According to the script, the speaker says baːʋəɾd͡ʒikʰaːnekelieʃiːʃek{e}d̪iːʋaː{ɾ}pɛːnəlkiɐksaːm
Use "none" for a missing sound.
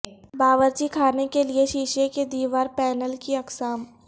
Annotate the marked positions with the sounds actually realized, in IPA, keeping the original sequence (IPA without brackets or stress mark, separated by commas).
e, ɾ